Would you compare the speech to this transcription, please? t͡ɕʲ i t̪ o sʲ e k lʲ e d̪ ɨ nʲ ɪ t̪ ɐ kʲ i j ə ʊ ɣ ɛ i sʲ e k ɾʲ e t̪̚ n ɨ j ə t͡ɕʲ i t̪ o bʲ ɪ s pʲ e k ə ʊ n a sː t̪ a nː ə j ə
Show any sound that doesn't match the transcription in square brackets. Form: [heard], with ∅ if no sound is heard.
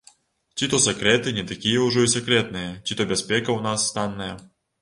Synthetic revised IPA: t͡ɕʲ i t̪ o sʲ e k [ɾʲ] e [t̪] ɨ nʲ ɪ t̪ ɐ kʲ i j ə ʊ [ʐ] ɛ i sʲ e k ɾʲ e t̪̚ n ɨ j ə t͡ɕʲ i t̪ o bʲ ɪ s pʲ e k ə ʊ n a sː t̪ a nː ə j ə

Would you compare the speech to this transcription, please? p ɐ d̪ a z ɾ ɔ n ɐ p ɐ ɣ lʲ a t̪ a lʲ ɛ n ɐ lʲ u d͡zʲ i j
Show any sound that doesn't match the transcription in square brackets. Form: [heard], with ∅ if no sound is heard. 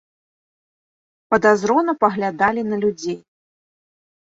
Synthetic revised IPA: p ɐ d̪ a z ɾ ɔ n ɐ p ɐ ɣ lʲ a [d̪] a lʲ [i] n ɐ lʲ u d͡zʲ [e] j

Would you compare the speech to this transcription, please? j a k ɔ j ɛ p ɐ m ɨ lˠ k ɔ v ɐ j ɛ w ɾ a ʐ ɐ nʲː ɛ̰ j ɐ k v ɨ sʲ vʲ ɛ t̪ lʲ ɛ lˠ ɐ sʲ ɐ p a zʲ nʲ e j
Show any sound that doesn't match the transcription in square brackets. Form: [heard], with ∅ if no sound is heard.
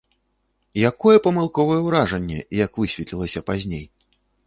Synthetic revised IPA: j a k ɔ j ɛ p ɐ m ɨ lˠ k ɔ v ɐ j ɛ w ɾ a ʐ ɐ nʲː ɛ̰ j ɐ k v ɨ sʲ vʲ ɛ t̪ lʲ [i] lˠ ɐ sʲ ɐ p a zʲ nʲ e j

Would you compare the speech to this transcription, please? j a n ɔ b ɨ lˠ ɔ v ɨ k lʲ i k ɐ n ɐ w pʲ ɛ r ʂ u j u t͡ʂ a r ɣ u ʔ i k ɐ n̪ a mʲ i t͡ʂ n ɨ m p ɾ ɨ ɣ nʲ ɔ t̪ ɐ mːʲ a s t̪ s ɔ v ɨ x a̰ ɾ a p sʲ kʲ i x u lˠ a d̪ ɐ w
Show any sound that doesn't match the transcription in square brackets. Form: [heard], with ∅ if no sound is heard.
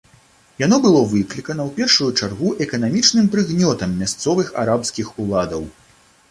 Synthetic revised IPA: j a n ɔ b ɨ lˠ ɔ v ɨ k lʲ i k ɐ n ɐ w pʲ ɛ r ʂ u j u t͡ʂ a r ɣ u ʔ [ɛ] k ɐ n̪ a mʲ i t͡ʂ n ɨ m p ɾ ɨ ɣ nʲ ɔ t̪ ɐ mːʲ a s t̪ s ɔ v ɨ x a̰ ɾ a p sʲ kʲ i x u lˠ a d̪ ɐ w

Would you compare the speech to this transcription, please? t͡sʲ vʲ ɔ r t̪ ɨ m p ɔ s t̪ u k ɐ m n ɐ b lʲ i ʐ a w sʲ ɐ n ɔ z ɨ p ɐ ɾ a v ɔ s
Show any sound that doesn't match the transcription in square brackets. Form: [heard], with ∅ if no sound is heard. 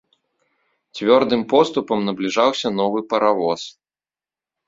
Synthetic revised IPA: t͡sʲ vʲ ɔ r [d̪] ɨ m p ɔ s t̪ u [p] ɐ m n ɐ b lʲ i ʐ a w sʲ ɐ n ɔ [v] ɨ p ɐ ɾ a v ɔ s

